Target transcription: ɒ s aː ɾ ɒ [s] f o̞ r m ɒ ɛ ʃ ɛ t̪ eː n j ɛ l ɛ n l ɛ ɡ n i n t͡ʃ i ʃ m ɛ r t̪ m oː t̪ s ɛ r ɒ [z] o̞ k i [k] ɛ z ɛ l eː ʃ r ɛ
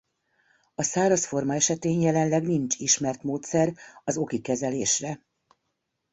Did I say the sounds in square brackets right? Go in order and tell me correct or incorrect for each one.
correct, correct, correct

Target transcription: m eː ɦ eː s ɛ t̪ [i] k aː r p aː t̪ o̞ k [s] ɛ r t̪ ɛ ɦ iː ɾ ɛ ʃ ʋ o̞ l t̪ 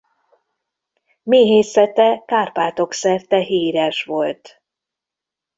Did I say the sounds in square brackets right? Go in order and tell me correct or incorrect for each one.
incorrect, correct

